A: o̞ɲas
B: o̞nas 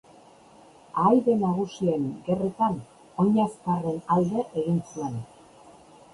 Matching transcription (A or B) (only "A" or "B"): A